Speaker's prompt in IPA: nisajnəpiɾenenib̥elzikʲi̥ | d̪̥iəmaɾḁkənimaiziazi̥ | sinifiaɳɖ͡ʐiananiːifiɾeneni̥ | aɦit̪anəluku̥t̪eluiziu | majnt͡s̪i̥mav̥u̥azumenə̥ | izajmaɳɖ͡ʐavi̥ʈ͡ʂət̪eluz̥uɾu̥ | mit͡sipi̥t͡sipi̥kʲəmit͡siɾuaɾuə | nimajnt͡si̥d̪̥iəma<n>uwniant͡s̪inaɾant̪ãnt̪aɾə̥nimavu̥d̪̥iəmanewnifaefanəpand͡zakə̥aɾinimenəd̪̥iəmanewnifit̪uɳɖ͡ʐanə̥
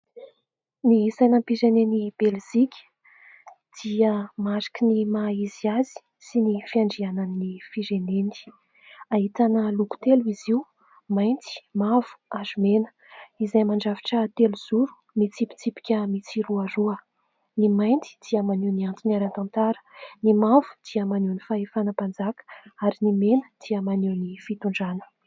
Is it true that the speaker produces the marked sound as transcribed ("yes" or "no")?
yes